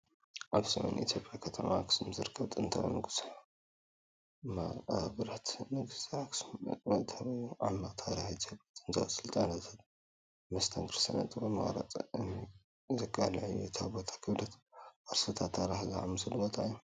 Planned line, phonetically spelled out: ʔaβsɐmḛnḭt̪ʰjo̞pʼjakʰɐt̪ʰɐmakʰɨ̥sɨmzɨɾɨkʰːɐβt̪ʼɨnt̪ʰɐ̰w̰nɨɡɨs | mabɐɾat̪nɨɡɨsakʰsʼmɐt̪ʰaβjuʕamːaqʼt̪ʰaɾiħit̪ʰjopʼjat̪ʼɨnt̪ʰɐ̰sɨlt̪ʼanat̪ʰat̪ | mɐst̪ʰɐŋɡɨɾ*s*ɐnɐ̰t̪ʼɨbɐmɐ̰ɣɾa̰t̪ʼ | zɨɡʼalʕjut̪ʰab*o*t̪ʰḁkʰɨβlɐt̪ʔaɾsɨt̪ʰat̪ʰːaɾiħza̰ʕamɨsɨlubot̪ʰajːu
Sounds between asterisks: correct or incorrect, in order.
correct, correct

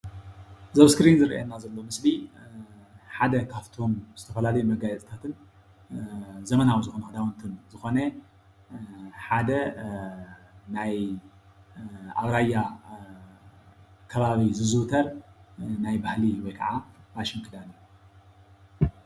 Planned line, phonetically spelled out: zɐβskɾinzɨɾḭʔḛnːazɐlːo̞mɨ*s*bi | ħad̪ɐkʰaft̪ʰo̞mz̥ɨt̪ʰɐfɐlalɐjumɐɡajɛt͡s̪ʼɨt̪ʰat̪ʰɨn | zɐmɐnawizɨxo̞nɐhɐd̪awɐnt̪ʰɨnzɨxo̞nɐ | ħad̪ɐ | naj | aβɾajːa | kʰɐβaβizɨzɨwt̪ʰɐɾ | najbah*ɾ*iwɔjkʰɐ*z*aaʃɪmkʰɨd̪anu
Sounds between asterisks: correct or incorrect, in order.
correct, incorrect: l, incorrect: ʕ

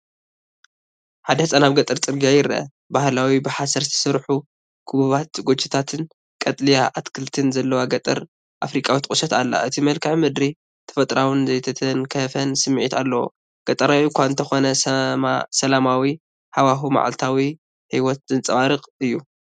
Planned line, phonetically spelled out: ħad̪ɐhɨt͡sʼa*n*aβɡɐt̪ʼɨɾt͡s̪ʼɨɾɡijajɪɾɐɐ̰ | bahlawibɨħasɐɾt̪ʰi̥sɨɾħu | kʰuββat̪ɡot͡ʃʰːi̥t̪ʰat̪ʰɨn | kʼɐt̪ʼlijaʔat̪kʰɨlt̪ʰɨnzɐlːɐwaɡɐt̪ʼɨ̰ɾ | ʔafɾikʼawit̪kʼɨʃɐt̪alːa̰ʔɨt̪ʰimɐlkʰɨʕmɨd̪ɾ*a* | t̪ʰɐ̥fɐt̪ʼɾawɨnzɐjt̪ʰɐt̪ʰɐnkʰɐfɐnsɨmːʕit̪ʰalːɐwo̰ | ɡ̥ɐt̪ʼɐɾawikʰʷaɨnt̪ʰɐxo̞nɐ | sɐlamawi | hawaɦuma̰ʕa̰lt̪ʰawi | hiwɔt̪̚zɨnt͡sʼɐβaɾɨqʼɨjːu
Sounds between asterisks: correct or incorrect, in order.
correct, incorrect: i

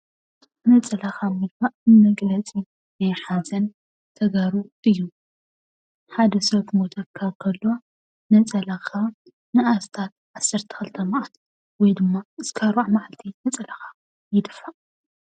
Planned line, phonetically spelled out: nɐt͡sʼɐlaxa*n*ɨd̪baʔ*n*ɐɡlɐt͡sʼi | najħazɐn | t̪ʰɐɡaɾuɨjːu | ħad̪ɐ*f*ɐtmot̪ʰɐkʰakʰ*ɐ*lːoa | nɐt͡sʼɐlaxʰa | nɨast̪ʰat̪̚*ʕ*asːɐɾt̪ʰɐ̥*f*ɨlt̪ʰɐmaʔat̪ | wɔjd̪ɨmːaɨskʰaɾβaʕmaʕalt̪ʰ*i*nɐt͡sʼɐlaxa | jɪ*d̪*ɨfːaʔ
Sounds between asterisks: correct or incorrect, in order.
incorrect: m, incorrect: m, incorrect: s, correct, correct, incorrect: x, correct, correct

